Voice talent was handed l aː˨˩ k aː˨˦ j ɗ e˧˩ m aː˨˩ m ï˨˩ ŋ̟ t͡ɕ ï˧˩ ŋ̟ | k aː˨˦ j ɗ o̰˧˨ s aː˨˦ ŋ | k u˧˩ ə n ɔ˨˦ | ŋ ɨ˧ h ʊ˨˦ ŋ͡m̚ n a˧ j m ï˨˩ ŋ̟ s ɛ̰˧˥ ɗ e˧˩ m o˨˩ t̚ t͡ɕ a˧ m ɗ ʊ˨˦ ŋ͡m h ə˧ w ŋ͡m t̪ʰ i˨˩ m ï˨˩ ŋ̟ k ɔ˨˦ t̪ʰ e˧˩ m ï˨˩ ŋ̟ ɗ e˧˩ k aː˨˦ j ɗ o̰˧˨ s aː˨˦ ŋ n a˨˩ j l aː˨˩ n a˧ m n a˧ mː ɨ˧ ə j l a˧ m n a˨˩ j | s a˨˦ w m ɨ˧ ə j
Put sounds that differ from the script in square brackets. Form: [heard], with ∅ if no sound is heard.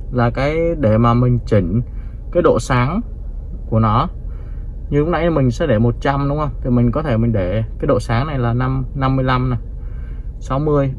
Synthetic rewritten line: l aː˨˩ k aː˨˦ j ɗ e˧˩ m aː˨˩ m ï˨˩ ŋ̟ t͡ɕ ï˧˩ ŋ̟ | k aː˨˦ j ɗ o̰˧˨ s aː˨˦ ŋ | k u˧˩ ə n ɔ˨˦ | [ɲ] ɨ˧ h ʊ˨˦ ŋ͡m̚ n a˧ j m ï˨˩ ŋ̟ s ɛ̰˧˥ ɗ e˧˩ m o˨˩ t̚ t͡ɕ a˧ m ɗ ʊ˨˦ ŋ͡m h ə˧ w ŋ͡m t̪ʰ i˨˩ m ï˨˩ ŋ̟ k ɔ˨˦ t̪ʰ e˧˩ m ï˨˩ ŋ̟ ɗ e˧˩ k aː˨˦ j ɗ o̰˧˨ s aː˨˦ ŋ n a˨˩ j l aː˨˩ n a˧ m n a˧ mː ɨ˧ ə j l a˧ m n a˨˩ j | s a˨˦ w m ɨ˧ ə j